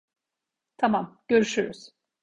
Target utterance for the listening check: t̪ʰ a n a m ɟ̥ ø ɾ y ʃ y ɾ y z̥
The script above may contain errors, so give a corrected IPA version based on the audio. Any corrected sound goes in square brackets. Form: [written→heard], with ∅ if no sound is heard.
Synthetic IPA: t̪ʰ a [n→m] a m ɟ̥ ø ɾ y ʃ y ɾ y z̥